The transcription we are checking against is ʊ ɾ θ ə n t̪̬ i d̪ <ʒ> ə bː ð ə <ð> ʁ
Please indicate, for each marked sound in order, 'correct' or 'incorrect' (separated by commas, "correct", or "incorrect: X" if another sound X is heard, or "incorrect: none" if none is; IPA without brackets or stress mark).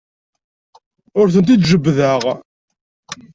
correct, incorrect: none